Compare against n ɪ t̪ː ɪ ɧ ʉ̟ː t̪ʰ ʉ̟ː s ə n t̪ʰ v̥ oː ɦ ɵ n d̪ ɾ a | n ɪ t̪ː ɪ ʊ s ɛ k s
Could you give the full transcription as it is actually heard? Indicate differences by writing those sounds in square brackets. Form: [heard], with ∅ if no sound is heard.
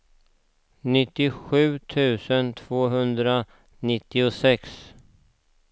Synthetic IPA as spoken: n ɪ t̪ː ɪ ɧ ʉ̟ː t̪ʰ ʉ̟ː s ə n t̪ʰ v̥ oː ɦ ɵ n d̪ ɾ a | n ɪ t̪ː ɪ ʊ s ɛ k s

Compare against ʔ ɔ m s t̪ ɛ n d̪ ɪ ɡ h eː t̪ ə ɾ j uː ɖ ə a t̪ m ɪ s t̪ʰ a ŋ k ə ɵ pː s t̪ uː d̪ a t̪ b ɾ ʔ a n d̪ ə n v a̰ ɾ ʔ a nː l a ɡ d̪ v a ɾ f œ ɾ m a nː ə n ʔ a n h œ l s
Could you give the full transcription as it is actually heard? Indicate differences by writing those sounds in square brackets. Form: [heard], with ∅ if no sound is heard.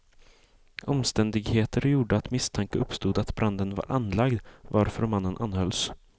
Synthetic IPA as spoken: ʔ ɔ m s t̪ ɛ n d̪ ɪ ɡ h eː t̪ ə ɾ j uː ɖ ə a t̪ m ɪ s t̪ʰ a ŋ k ə ɵ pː s t̪ uː d̪ a t̪ b ɾ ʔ a n d̪ ə n v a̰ ɾ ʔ a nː l a ɡ d̪ v a ɾ f œ ɾ m a nː ə n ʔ a n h œ l s

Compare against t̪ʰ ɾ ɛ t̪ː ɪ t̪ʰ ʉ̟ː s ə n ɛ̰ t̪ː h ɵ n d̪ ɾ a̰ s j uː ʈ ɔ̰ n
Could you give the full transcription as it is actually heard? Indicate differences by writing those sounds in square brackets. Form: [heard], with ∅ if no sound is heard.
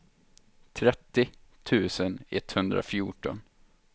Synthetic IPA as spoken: t̪ʰ ɾ ɛ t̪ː ɪ t̪ʰ ʉ̟ː s ə n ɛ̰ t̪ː h ɵ n d̪ ɾ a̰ [f] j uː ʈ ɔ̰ n

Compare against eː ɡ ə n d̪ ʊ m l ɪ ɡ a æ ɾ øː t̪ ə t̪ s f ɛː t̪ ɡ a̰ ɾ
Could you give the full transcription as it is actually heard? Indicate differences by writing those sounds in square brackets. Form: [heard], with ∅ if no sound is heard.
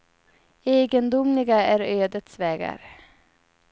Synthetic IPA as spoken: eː ɡ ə n d̪ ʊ m l ɪ ɡ a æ ɾ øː [d̪] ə t̪ s [v] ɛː [∅] ɡ a̰ ɾ

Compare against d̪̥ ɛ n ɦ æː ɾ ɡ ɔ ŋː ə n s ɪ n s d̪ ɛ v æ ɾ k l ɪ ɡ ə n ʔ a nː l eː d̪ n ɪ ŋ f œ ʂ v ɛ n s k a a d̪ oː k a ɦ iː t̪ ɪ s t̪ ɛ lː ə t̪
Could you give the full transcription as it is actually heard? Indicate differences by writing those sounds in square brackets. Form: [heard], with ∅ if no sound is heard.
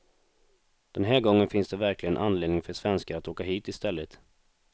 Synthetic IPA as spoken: d̪̥ ɛ n ɦ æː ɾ ɡ ɔ ŋː ə n [f] ɪ n s d̪ ɛ v æ ɾ k l ɪ ɡ ə n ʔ a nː l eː d̪ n ɪ ŋ f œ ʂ v ɛ n s k a a [t̪] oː k a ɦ iː t̪ ɪ s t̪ ɛ lː ə t̪

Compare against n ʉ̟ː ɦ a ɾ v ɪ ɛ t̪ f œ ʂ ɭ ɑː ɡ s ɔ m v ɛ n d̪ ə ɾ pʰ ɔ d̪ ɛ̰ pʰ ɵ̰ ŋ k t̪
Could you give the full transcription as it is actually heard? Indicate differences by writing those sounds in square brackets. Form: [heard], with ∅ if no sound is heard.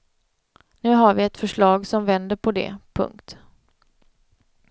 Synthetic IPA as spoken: n ʉ̟ː ɦ a ɾ v ɪ ɛ t̪ f œ ʂ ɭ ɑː ɡ s ɔ m v ɛ n d̪ ə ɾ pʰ ɔ d̪ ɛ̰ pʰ ɵ̰ ŋ k t̪

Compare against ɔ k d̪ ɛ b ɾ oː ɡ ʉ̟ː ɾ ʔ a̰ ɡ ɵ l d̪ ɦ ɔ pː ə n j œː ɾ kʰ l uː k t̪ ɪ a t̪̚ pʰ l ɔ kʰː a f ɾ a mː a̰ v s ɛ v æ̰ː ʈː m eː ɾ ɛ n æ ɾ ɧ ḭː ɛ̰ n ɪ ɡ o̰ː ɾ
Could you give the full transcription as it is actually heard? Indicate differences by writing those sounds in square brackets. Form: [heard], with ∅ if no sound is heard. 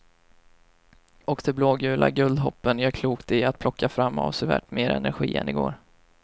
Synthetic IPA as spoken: ɔ k d̪ ɛ b [l] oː ɡ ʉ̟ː [l] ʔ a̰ ɡ ɵ l d̪ ɦ ɔ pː ə n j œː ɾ kʰ l uː k t̪ ɪ a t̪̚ pʰ l ɔ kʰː a f ɾ a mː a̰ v s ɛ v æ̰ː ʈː m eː ɾ ɛ n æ ɾ ɧ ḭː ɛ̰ n ɪ ɡ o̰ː ɾ

